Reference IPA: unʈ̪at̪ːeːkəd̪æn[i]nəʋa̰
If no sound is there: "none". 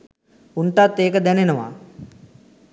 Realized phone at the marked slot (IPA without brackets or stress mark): e